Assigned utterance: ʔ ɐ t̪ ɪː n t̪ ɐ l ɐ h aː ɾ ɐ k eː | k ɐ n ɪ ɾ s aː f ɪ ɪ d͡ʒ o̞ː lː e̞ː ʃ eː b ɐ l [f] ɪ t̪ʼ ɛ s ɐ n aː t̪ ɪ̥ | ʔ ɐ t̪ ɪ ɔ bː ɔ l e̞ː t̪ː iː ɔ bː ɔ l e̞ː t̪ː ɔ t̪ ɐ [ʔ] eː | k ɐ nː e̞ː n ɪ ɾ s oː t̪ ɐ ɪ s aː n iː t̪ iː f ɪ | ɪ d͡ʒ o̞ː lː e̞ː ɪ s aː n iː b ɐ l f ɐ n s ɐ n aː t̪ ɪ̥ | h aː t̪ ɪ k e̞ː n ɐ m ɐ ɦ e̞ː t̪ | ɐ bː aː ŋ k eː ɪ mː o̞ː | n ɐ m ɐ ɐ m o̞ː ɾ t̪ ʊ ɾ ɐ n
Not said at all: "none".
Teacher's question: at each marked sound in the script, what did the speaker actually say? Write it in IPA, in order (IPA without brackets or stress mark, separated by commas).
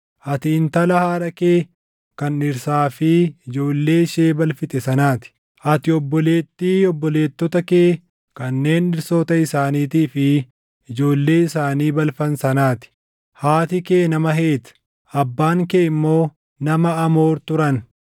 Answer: f, k